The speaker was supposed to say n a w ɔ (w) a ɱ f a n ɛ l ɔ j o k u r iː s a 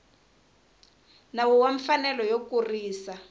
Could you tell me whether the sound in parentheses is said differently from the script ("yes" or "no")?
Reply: no